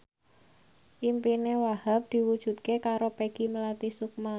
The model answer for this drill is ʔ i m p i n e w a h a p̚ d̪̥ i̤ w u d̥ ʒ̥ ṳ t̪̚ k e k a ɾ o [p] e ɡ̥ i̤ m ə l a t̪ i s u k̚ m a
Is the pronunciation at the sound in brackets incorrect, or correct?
correct